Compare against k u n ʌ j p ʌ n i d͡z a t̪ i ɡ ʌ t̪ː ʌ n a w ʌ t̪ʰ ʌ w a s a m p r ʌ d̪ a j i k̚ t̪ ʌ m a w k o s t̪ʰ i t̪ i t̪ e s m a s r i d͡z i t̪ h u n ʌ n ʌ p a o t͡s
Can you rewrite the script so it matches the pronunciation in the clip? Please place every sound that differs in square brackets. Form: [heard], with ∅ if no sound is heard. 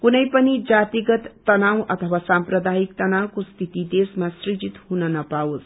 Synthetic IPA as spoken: k u n ʌ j p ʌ n i d͡z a t̪ i ɡ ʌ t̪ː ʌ n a w ʌ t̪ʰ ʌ w a s a m p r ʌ d̪ a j i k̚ t̪ ʌ [n] a w k o s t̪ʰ i t̪ i [d̪] e s m a s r i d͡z i t̪ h u n ʌ n ʌ p a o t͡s